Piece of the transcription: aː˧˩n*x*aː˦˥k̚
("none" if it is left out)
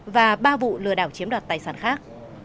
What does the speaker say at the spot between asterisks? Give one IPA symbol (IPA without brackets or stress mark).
x